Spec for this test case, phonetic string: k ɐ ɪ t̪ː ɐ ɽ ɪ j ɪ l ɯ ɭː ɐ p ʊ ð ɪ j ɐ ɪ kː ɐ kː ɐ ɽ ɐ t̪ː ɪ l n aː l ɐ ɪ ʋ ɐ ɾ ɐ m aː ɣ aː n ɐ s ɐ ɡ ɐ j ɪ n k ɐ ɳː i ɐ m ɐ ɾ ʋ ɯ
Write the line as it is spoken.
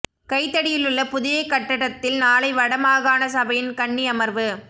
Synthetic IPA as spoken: k ɐ ɪ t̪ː ɐ ɽ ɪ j ɪ l ɯ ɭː ɐ p ʊ ð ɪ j ɐ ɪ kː ɐ ʈː ɐ ɽ ɐ t̪ː ɪ l n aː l ɐ ɪ ʋ ɐ ɽ ɐ m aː ɣ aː n ɐ s ɐ b ɐ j ɪ n k ɐ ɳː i ɐ m ɐ ɾ ʋ ɯ